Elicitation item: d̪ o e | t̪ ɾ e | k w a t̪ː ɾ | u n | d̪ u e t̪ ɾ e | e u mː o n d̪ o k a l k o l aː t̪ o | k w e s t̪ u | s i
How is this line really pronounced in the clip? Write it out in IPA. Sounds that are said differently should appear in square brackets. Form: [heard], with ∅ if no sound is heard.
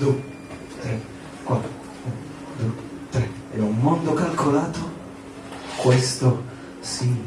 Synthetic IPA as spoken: d̪ [u] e | t̪ ɾ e | k w a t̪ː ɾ | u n | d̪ u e t̪ ɾ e | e u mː o n d̪ o k a l k o l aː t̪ o | k w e s t̪ [o] | s i